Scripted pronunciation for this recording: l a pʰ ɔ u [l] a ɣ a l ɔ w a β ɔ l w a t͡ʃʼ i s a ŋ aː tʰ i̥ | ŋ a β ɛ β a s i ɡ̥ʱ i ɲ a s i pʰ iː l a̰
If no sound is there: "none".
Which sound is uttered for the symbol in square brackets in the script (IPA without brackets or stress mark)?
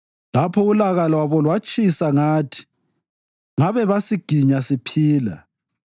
l